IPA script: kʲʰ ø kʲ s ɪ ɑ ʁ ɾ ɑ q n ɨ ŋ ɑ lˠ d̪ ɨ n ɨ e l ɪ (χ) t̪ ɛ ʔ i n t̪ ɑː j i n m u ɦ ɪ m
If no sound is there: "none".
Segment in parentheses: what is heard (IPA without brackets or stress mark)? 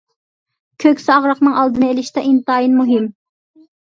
ʃ